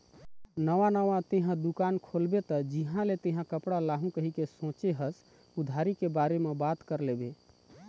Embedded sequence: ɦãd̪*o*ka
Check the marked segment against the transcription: incorrect: u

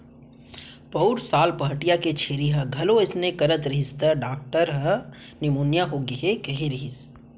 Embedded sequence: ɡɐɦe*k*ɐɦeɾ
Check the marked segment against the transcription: correct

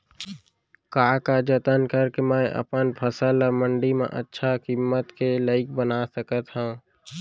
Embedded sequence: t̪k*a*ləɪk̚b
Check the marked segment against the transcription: incorrect: e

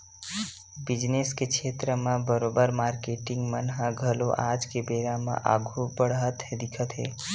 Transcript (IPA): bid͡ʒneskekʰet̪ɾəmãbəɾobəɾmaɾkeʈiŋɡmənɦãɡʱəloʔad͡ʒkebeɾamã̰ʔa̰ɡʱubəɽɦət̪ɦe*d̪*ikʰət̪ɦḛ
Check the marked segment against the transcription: correct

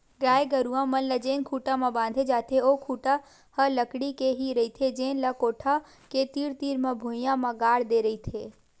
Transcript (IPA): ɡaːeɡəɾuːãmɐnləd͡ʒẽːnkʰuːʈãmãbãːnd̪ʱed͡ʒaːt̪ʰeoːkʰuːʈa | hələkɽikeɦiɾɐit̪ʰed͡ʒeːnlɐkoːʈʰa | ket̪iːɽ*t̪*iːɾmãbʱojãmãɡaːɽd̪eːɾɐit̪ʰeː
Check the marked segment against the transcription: correct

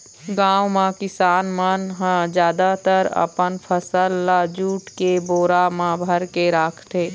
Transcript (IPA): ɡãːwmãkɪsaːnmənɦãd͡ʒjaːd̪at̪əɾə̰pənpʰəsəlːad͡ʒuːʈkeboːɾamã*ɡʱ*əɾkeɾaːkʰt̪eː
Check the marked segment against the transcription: incorrect: bʱ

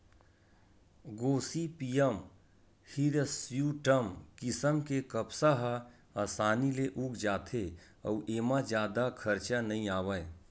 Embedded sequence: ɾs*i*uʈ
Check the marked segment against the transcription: incorrect: j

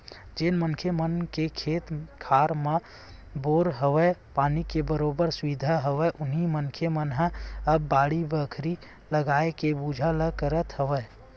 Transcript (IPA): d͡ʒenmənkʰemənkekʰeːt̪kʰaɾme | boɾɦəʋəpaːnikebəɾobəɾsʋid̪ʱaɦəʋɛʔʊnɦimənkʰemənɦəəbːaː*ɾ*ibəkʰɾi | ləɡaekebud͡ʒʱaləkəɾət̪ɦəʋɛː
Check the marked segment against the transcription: incorrect: ɽ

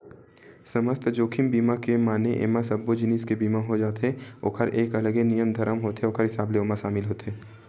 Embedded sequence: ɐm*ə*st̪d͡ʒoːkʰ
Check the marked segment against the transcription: correct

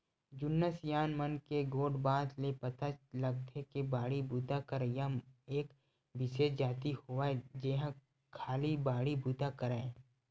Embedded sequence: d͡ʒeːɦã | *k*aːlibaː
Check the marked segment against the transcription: incorrect: kʰ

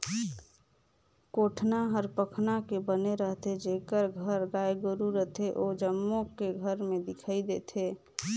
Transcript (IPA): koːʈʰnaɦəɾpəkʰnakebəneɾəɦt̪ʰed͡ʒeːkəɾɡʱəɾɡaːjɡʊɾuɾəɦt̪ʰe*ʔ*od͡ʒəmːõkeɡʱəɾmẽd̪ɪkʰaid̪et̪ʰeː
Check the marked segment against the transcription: correct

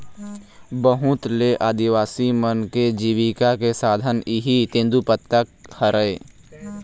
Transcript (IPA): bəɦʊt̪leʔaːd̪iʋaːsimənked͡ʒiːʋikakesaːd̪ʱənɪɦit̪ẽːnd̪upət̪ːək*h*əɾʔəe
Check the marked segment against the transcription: correct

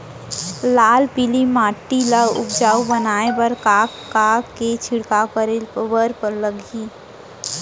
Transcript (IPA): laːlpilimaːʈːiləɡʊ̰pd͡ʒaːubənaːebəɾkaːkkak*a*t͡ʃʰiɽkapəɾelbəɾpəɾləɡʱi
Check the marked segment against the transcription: incorrect: e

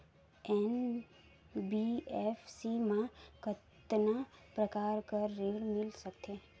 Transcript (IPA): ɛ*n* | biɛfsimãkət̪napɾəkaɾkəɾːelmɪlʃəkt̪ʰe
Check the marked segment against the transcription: correct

